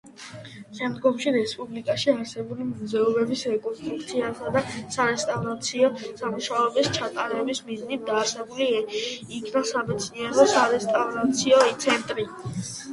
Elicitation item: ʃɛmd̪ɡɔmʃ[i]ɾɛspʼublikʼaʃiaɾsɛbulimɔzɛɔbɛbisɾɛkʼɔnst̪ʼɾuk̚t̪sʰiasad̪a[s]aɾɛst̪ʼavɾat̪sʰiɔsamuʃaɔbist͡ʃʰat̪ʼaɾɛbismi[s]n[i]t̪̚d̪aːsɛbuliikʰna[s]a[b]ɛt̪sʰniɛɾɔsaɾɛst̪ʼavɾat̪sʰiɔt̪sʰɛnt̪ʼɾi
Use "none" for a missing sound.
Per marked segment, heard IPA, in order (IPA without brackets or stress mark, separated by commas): i, s, z, i, s, m